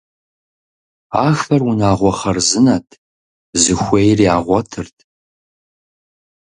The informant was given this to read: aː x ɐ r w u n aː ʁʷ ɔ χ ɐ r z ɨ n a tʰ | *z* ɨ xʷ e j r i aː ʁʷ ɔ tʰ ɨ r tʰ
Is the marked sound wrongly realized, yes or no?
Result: no